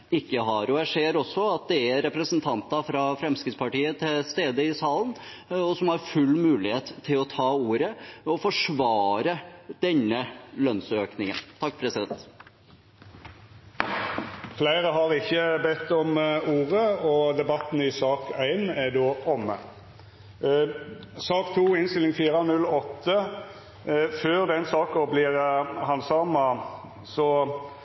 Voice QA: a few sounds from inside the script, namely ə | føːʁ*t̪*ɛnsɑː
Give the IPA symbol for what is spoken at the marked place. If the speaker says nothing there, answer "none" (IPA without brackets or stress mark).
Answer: d̪